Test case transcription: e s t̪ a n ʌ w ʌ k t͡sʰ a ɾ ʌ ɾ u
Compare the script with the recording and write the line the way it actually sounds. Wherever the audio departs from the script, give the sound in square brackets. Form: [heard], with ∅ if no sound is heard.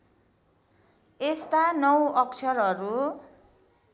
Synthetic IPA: e s t̪ a n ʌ w ʌ k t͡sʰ [ʌ] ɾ ʌ ɾ u